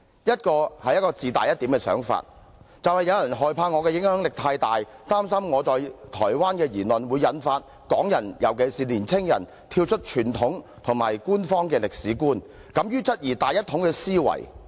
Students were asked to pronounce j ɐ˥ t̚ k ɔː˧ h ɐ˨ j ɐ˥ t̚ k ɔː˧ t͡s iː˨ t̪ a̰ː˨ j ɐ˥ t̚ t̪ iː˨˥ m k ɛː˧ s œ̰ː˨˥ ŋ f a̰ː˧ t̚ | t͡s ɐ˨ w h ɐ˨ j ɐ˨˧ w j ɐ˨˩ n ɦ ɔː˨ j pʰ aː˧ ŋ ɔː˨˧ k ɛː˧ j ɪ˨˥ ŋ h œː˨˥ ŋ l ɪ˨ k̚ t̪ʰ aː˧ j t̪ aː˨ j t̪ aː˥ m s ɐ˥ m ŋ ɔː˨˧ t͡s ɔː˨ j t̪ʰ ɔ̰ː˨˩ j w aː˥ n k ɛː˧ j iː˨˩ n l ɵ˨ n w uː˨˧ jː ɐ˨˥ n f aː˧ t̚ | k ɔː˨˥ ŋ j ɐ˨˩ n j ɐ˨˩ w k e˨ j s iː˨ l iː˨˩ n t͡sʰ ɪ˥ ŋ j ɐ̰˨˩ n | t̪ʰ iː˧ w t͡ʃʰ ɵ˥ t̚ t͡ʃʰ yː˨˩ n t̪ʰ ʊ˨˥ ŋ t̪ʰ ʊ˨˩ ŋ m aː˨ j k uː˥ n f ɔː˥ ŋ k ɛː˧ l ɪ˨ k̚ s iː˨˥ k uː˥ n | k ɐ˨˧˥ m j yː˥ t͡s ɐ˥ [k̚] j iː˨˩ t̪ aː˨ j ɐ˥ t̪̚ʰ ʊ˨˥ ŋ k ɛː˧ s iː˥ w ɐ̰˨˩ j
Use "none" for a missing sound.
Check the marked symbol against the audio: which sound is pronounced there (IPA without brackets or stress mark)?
t̚